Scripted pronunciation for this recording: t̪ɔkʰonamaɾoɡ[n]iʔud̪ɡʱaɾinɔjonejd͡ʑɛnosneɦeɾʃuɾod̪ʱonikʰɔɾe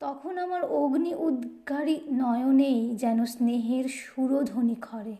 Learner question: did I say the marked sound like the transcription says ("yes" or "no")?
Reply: yes